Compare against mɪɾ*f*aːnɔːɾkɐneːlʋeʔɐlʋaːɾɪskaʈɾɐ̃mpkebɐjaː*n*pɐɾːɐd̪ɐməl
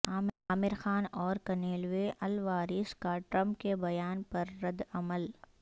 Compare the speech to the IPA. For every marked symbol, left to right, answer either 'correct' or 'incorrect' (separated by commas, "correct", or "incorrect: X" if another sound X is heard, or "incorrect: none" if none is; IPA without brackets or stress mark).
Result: incorrect: x, correct